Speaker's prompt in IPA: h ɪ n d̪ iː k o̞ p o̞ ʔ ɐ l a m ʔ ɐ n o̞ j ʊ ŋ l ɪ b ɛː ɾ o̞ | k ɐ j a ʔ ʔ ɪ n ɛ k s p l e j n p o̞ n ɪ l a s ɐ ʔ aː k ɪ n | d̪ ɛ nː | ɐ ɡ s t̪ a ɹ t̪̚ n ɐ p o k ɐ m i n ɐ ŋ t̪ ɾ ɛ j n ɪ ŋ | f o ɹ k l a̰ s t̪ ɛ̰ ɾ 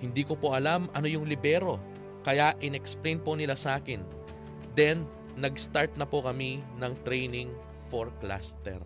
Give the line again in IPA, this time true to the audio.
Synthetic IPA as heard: h ɪ n d̪ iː k o̞ p o̞ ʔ ɐ l a m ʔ ɐ n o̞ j ʊ ŋ l ɪ b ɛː ɾ o̞ | k ɐ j a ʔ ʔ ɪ n ɛ k s p l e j n p o̞ n ɪ l a s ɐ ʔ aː k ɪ n | d̪ ɛ nː | ɐ ɡ s t̪ a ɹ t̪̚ n ɐ p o k ɐ m i n ɐ ŋ t̪ ɾ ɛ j n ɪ ŋ | f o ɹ k l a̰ s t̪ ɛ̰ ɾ